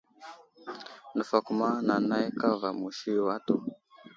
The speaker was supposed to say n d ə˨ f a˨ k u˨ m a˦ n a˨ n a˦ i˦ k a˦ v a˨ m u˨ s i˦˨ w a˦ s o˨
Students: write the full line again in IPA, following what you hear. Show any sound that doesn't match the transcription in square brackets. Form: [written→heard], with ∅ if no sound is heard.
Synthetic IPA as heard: n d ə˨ f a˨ k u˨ m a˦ n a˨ n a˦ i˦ k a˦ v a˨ m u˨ [s→ʃ] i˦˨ w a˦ [s→t] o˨